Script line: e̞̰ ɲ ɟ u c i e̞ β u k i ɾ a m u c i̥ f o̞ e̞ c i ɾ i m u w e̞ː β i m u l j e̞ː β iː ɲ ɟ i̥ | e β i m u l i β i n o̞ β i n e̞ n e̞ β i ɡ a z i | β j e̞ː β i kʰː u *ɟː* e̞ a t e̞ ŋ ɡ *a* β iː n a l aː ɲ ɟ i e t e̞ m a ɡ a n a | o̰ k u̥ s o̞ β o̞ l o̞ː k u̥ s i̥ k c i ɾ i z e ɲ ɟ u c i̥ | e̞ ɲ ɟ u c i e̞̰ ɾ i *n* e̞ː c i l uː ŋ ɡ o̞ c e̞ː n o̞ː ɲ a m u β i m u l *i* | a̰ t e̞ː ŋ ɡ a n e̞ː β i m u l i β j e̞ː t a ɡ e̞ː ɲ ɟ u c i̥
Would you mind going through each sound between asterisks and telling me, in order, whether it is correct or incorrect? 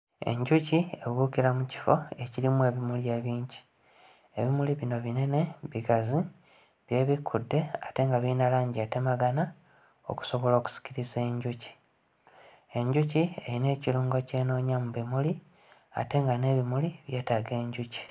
incorrect, correct, correct, correct

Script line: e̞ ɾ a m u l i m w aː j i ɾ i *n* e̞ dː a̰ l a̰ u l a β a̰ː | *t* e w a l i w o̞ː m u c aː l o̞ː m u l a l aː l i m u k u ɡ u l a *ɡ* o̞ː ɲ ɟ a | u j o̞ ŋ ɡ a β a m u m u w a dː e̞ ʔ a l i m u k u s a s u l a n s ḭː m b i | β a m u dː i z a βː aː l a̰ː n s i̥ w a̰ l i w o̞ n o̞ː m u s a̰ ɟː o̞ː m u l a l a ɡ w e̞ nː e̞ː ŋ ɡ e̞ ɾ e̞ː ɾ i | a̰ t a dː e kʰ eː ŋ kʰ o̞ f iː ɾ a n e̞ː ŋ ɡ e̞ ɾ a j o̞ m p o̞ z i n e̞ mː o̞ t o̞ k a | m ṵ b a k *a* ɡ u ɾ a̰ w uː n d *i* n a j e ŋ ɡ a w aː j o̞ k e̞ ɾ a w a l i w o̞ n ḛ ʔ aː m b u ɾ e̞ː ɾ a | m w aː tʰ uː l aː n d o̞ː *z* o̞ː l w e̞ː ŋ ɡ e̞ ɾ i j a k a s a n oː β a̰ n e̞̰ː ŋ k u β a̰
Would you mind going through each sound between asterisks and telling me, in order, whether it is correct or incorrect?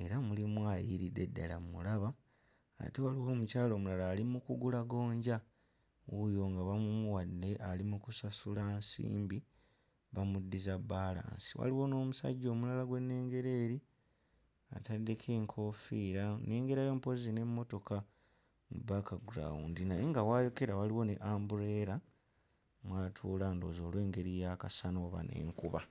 incorrect, correct, correct, correct, correct, correct

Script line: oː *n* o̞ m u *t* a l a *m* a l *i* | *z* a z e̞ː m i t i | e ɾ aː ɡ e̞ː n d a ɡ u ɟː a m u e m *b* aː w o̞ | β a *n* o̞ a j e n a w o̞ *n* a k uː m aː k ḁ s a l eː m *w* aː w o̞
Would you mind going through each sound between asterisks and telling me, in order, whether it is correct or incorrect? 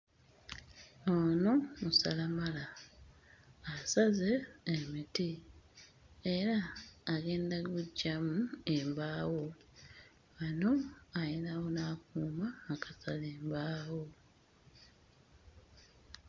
correct, incorrect, correct, incorrect, incorrect, correct, correct, correct, incorrect

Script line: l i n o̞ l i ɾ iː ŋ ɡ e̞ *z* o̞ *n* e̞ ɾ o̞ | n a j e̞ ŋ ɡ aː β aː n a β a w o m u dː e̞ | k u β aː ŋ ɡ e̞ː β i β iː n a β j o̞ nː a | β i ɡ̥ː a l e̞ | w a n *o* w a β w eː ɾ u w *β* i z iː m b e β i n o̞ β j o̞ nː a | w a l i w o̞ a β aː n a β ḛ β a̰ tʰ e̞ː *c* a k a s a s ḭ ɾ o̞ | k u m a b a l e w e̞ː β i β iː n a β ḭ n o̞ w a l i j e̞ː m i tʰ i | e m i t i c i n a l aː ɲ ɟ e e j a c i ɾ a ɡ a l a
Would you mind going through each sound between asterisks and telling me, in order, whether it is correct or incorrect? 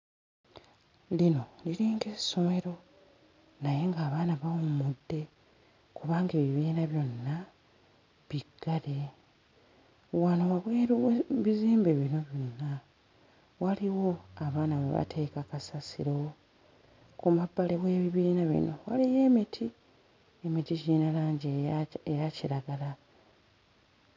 incorrect, incorrect, correct, correct, incorrect

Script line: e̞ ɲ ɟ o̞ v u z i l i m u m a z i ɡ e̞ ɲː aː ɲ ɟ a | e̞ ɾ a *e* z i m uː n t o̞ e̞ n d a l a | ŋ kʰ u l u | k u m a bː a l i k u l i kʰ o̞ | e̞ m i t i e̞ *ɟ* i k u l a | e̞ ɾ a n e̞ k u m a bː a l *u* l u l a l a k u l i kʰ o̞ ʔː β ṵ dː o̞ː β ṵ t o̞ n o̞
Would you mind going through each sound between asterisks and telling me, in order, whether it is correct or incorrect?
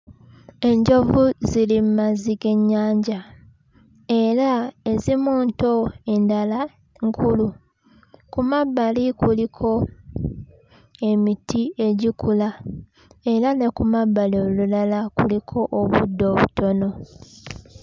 correct, correct, incorrect

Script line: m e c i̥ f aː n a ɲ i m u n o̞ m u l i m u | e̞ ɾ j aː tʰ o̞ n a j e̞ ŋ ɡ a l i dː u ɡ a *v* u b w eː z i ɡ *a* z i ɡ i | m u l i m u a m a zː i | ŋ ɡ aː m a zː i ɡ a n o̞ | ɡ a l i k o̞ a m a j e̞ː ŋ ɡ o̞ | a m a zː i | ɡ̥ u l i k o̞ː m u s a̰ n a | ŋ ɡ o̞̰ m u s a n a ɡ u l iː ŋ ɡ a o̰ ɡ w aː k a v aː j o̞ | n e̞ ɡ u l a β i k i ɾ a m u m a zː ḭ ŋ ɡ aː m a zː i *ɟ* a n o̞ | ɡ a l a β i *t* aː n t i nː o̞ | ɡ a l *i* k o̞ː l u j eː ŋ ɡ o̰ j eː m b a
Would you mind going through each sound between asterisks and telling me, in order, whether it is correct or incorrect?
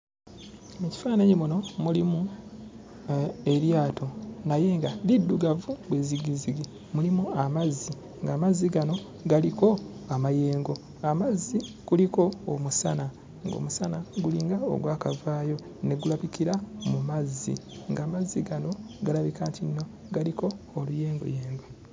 correct, incorrect, incorrect, incorrect, correct

